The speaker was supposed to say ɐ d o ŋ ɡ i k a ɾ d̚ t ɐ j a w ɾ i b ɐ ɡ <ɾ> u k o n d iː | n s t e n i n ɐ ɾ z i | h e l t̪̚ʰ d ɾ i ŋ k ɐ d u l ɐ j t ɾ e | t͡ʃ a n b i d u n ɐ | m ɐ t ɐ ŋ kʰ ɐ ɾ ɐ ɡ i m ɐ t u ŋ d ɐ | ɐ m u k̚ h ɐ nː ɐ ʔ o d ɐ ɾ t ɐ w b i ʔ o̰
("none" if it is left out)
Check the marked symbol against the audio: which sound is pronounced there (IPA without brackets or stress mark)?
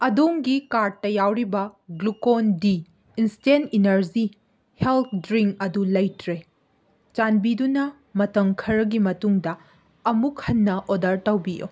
l